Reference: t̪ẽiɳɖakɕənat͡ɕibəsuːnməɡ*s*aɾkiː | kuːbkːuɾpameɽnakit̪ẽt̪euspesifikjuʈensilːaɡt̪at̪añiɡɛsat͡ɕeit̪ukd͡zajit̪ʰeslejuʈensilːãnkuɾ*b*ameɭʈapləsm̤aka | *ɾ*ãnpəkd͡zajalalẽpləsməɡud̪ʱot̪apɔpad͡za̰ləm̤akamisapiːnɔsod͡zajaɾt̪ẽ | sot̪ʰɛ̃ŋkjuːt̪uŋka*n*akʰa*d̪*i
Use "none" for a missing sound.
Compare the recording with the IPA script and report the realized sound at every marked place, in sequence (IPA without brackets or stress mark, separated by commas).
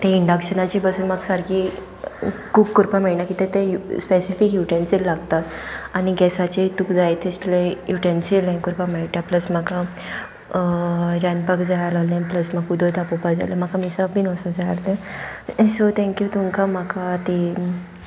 s, p, ɾ, m, t̪